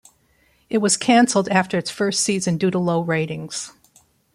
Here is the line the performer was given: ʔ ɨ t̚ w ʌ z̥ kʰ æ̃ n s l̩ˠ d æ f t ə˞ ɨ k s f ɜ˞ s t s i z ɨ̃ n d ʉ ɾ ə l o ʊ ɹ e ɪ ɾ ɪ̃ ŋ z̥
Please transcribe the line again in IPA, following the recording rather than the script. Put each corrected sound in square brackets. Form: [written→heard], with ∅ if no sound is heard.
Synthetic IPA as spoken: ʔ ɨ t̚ w ʌ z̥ kʰ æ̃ n s l̩ˠ d æ f t ə˞ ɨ [k→t] s f ɜ˞ s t s i z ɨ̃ n d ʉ ɾ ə l o ʊ ɹ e ɪ ɾ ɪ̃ ŋ z̥